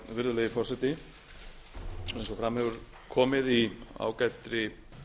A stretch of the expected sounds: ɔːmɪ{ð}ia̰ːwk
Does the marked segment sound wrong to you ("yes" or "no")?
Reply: no